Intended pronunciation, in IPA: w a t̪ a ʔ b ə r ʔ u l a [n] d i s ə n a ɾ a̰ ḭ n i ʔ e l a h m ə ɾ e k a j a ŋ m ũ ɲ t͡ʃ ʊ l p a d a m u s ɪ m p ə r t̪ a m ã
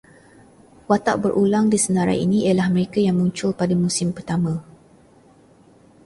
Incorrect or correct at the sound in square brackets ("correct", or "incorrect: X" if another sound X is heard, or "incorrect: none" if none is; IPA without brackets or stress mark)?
incorrect: ŋ